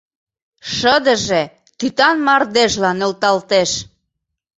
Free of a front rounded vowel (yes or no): no